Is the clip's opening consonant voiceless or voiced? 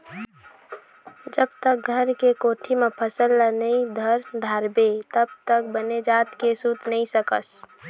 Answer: voiced